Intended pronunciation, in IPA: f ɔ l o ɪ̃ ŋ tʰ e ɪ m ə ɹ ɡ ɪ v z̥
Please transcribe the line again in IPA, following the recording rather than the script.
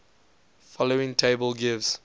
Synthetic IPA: f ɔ l o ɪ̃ ŋ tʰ e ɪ b ə l ɡ ɪ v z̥